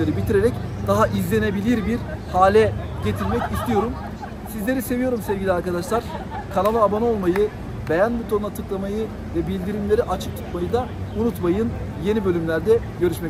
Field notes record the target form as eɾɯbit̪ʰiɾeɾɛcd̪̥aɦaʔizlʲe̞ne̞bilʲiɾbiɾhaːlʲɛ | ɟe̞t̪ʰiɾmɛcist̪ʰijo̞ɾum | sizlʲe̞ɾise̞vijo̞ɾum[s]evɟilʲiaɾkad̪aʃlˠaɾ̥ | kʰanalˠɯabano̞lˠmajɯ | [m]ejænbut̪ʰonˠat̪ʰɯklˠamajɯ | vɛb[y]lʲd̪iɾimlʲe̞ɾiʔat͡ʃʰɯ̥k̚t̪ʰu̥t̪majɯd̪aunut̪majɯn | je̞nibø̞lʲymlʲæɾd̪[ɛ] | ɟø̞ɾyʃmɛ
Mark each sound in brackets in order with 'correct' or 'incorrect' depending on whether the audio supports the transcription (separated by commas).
correct, incorrect, incorrect, correct